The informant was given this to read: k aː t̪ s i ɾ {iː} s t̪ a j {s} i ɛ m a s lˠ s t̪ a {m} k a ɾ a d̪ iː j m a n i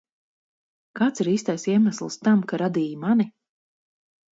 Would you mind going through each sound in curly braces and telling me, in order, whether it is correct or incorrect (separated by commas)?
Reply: correct, correct, correct